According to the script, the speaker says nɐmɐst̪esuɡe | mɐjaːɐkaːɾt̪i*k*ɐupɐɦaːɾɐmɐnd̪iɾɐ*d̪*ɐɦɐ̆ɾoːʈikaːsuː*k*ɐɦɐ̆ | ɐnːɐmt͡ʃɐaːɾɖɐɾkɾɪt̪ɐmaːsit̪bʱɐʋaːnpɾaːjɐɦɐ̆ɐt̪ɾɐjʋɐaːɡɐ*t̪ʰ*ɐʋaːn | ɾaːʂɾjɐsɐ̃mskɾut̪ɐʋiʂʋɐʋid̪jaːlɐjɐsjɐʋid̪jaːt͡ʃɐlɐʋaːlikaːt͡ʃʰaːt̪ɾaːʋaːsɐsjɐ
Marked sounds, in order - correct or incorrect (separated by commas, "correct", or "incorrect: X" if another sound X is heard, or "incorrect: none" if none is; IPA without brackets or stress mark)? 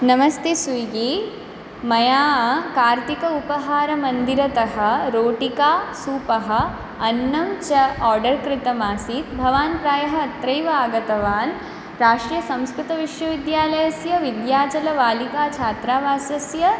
correct, incorrect: t̪, incorrect: p, incorrect: t̪